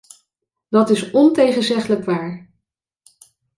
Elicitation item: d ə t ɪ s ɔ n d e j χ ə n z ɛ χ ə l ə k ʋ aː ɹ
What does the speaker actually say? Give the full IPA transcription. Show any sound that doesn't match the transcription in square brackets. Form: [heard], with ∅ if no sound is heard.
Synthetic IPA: d [ɑ] t ɪ s ɔ n [t] e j χ ə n z ɛ χ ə l ə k ʋ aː ɹ